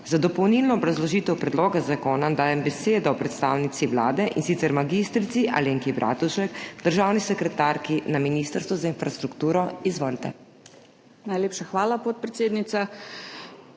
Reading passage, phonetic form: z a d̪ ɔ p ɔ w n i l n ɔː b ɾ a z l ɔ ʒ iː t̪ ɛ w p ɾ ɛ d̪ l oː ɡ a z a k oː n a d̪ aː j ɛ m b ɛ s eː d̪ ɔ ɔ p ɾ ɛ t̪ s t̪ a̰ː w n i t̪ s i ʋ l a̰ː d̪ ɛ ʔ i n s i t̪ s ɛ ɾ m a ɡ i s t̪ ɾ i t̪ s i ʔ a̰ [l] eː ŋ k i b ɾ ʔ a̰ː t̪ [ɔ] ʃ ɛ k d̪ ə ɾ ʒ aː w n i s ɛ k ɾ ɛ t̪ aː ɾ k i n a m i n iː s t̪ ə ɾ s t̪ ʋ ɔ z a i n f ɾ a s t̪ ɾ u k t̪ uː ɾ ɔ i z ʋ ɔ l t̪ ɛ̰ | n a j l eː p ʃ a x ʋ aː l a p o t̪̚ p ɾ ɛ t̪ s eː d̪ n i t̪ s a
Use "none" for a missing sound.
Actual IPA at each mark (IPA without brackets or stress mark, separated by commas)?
l, u